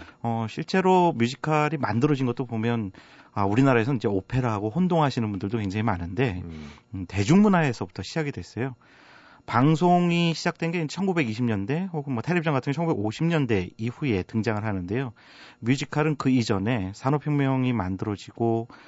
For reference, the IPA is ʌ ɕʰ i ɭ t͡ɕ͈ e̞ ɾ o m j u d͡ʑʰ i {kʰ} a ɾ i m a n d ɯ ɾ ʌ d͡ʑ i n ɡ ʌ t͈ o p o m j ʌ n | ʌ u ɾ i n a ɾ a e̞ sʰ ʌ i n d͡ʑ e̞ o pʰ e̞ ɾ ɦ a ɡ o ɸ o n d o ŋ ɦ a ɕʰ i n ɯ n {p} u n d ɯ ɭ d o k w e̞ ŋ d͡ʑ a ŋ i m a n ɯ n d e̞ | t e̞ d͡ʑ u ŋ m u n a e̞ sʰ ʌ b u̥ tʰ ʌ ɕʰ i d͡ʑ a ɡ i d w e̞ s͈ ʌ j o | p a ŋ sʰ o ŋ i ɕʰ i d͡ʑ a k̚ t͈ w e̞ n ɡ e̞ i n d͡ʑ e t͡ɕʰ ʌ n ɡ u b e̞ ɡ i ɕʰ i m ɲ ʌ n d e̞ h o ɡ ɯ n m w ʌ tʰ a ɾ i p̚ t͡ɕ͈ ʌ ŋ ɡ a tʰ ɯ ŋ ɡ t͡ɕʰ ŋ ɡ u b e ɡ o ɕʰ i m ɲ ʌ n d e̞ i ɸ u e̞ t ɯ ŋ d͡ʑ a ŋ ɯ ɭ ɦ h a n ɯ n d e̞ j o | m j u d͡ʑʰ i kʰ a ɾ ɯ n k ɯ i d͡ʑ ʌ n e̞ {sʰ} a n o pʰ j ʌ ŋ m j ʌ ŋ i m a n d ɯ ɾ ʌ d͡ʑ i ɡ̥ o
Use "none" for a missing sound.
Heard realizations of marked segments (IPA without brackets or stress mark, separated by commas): kʰ, b, sʰ